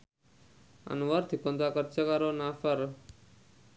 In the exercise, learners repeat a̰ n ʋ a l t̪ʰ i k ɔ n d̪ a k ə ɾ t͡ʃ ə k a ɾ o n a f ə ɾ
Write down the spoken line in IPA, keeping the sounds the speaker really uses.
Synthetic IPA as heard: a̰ n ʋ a ɾ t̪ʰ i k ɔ n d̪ a k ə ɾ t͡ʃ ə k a ɾ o n a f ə ɾ